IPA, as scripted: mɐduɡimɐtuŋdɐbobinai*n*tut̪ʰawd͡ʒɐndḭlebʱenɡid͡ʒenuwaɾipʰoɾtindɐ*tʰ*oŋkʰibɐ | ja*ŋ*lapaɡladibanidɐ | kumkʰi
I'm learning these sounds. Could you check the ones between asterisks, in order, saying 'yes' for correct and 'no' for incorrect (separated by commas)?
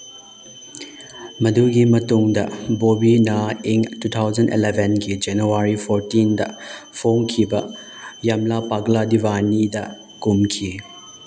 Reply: no, no, no